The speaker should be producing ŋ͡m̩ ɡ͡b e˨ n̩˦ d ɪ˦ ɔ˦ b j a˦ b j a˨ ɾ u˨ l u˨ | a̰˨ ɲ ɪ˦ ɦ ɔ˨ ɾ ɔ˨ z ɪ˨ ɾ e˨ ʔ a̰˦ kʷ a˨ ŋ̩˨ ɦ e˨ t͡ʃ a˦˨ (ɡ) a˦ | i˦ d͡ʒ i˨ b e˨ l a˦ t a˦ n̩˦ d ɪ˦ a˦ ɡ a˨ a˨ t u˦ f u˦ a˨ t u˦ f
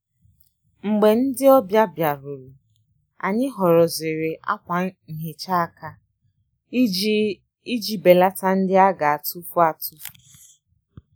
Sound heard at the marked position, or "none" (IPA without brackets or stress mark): k